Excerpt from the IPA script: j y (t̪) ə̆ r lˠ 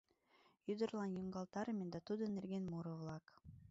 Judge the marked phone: incorrect: d̪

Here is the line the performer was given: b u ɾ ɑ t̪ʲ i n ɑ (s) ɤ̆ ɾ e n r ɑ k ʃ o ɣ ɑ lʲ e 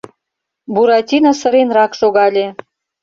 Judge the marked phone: correct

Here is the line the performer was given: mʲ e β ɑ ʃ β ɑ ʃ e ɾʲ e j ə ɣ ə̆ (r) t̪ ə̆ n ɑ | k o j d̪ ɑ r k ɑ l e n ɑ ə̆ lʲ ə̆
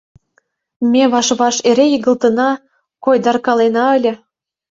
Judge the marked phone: incorrect: l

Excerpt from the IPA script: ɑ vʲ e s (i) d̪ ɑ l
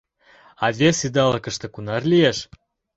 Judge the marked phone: correct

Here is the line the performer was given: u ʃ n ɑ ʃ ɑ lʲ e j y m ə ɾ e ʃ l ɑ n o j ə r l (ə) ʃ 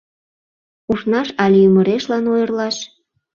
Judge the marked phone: incorrect: ɑ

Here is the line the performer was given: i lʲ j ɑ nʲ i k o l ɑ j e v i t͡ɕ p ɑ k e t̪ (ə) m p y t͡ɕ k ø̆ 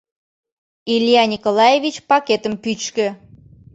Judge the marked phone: correct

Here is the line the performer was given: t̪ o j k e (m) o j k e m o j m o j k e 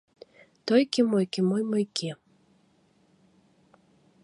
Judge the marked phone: correct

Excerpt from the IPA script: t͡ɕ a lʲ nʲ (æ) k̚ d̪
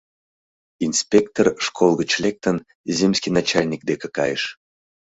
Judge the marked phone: incorrect: i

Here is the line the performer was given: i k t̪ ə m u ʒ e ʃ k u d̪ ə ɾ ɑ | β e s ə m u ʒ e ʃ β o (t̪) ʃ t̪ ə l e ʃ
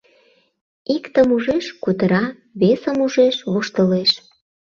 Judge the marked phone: incorrect: none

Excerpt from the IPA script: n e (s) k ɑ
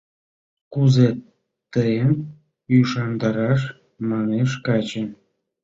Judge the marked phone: incorrect: ʃ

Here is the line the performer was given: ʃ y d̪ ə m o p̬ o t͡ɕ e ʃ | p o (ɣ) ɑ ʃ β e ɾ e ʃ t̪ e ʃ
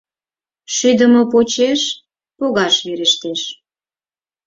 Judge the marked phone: correct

